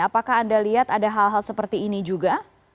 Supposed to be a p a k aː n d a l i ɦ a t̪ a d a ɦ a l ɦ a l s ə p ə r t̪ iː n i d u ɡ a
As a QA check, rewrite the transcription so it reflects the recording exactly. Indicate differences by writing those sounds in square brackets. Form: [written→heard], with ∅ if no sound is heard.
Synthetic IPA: a p a k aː n d a l i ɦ a t̪ a d a ɦ a l ɦ a l s ə p ə r t̪ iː n i [d→d͡ʒ] u ɡ a

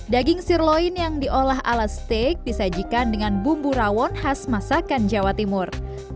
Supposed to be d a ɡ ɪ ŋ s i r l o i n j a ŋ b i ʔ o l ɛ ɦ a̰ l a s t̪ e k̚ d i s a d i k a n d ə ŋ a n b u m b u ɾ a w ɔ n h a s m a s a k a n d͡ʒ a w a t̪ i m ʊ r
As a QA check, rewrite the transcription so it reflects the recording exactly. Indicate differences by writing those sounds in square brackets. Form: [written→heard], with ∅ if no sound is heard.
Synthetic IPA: d a ɡ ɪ ŋ s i r l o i n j a ŋ [b→d] i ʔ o l [ɛ→a] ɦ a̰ l a s t̪ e k̚ d i s a [d→d͡ʒ] i k a n d ə ŋ a n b u m b u ɾ a w ɔ n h a s m a s a k a n d͡ʒ a w a t̪ i m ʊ r

